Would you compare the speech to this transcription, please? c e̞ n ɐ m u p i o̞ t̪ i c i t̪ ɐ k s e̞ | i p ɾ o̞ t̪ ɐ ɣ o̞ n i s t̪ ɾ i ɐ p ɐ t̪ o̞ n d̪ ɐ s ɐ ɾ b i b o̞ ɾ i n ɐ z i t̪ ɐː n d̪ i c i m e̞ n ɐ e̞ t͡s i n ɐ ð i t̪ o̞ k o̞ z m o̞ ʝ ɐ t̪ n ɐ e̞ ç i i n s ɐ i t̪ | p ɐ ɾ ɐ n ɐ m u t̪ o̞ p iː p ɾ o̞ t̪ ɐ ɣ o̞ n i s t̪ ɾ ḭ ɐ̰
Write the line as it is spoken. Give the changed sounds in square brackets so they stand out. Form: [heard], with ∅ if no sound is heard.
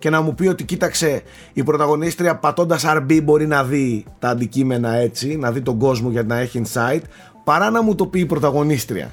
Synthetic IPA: c e̞ n ɐ m u p i o̞ t̪ i c i t̪ ɐ k s e̞ | i p ɾ o̞ t̪ ɐ ɣ o̞ n i s t̪ ɾ i ɐ p ɐ t̪ o̞ n d̪ ɐ s ɐ ɾ b i b o̞ ɾ i n ɐ [ð] i t̪ ɐː n d̪ i c i m e̞ n ɐ e̞ t͡s i n ɐ ð i t̪ o̞ [ɡ] o̞ z m o̞ ʝ ɐ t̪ n ɐ e̞ ç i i n s ɐ i t̪ | p ɐ ɾ ɐ n ɐ m u t̪ o̞ p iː p ɾ o̞ t̪ ɐ ɣ o̞ n i s t̪ ɾ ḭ ɐ̰